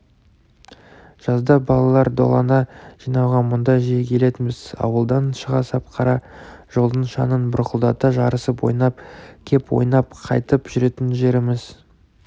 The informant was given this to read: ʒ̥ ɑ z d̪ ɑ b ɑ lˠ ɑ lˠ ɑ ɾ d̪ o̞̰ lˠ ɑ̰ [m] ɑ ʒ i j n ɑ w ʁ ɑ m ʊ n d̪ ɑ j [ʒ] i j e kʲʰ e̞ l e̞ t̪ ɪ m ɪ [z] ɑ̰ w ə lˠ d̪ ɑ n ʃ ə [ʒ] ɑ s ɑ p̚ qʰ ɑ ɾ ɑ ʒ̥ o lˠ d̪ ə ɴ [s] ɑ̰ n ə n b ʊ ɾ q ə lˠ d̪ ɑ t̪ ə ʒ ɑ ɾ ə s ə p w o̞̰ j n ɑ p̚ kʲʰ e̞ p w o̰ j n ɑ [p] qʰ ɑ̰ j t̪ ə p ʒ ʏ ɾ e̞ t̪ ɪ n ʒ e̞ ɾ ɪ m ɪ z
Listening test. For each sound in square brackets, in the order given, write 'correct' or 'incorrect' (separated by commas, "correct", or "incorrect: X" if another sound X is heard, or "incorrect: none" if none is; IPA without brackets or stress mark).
incorrect: n, correct, correct, incorrect: ʁ, incorrect: ʃ, correct